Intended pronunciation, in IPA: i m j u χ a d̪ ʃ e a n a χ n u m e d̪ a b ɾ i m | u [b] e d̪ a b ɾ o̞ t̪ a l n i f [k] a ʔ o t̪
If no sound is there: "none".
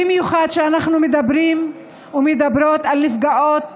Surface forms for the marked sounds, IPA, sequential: m, ɡ

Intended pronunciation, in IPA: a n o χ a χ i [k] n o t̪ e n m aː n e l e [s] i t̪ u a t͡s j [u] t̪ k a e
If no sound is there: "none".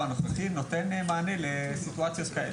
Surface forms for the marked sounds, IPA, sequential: none, s, o

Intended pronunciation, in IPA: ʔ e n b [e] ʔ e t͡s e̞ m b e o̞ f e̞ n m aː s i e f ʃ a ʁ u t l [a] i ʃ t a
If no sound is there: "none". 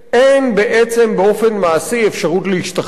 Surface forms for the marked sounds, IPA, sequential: e, e

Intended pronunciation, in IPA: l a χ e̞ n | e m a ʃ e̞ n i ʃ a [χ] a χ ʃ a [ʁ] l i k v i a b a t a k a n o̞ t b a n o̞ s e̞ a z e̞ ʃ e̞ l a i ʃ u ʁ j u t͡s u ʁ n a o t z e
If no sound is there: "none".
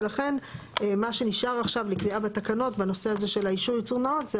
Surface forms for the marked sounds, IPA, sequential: ʁ, v

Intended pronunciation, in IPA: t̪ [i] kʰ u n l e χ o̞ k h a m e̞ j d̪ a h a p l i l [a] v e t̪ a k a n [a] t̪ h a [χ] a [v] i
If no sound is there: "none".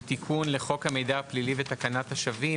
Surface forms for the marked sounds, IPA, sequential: i, i, a, ʃ, v

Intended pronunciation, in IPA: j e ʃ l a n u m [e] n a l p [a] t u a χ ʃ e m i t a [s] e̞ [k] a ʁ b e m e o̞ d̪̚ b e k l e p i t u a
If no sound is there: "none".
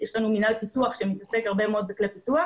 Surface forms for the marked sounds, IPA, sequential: i, i, s, k

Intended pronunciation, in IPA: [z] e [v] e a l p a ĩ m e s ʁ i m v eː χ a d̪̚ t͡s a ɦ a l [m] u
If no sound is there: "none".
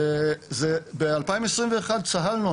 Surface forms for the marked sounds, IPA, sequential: z, b, n

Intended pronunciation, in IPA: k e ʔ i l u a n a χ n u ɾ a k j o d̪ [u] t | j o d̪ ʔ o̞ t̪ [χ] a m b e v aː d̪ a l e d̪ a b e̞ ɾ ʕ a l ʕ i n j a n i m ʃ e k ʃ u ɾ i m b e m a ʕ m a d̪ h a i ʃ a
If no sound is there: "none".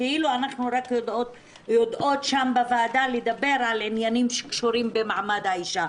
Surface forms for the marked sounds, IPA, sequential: o, ʃ

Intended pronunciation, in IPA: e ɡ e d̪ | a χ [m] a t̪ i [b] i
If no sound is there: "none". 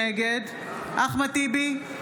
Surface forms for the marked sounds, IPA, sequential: m, b

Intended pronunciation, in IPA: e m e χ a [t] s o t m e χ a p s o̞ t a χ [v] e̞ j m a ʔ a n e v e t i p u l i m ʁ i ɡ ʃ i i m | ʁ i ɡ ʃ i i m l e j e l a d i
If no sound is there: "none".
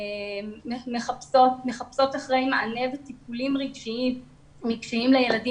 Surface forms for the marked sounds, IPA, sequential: p, ʁ

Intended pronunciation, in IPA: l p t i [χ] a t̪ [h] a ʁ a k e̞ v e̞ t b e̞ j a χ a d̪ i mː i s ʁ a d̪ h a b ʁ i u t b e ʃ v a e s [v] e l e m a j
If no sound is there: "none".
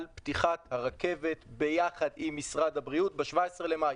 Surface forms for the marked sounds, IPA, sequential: χ, h, ʁ

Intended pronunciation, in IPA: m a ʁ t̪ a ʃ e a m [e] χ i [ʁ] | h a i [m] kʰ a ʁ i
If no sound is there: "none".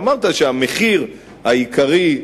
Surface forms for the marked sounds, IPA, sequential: e, ʁ, none

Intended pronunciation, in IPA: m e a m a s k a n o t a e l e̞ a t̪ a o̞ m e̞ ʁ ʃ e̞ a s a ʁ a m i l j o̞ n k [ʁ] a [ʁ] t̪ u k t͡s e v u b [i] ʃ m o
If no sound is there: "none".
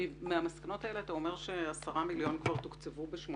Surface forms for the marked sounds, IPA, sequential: v, ʁ, e

